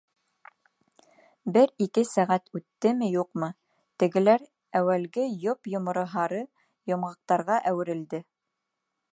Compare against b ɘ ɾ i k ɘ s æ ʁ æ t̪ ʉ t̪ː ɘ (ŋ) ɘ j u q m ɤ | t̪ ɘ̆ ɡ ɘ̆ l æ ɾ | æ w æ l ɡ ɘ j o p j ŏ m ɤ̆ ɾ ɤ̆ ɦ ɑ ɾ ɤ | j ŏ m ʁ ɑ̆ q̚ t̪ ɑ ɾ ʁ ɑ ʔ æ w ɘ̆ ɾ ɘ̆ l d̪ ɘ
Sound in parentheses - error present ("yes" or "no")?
yes